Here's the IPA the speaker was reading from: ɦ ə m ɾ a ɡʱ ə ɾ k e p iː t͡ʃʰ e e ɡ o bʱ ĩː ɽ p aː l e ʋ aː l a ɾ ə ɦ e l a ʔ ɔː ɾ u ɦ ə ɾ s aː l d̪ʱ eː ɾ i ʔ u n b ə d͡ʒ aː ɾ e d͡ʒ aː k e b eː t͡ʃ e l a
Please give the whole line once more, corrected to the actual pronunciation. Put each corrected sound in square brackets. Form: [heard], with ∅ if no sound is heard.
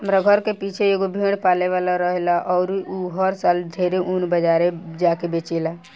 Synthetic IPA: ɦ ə m ɾ a ɡʱ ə ɾ k e p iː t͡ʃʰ e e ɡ o bʱ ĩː ɽ p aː l e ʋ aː l a ɾ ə ɦ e l a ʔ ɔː ɾ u ɦ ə ɾ s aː l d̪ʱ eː ɾ [e] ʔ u n b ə d͡ʒ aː ɾ e d͡ʒ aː k e b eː t͡ʃ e l a